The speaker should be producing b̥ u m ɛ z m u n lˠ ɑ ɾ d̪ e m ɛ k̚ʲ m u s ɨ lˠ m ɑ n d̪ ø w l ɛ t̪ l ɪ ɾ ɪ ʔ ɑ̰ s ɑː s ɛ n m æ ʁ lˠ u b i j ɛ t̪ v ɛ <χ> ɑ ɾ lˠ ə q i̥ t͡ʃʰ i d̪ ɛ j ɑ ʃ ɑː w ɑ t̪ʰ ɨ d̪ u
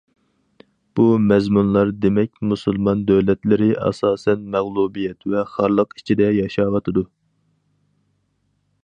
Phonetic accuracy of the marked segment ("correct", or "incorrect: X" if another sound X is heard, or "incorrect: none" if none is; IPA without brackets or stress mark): correct